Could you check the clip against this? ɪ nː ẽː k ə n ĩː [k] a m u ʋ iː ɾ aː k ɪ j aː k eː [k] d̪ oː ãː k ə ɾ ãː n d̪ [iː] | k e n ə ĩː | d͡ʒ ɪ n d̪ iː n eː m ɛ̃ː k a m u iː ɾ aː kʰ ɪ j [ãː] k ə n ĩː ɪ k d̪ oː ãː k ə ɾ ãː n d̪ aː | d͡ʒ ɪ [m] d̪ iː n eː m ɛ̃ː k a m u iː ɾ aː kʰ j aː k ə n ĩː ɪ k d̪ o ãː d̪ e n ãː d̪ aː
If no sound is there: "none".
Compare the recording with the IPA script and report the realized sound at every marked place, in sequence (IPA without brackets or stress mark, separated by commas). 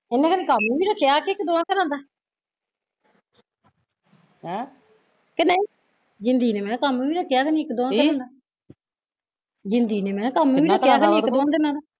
k, k, aː, aː, n